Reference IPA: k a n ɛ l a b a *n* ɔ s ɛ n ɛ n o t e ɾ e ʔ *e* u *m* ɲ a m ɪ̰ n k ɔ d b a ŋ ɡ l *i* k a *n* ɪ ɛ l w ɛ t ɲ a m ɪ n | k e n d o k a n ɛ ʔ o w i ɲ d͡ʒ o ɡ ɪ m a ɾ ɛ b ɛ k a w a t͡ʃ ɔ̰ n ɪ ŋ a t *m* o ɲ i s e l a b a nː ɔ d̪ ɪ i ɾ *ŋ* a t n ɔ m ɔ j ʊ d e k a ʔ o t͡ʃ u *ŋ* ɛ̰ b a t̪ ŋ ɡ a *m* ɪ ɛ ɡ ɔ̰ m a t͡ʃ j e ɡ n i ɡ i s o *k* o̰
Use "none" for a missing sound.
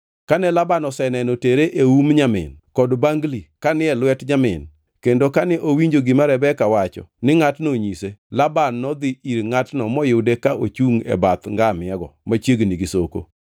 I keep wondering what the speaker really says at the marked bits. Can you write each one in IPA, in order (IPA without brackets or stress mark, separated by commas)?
n, e, m, i, n, n, ŋ, ŋ, m, k